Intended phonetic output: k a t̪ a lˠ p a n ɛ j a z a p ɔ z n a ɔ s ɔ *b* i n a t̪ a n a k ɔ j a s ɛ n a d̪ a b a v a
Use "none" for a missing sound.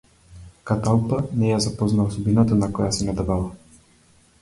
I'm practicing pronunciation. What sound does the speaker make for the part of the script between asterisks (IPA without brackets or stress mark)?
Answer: b